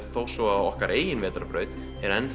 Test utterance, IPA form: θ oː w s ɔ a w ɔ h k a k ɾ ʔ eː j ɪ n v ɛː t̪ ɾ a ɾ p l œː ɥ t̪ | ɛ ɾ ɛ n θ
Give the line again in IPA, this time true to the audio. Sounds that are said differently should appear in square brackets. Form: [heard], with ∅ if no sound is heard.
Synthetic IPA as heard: θ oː w s ɔ a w ɔ h k a [∅] ɾ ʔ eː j ɪ n v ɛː t̪ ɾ a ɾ p [ɾ] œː ɥ t̪ | ɛ ɾ ɛ n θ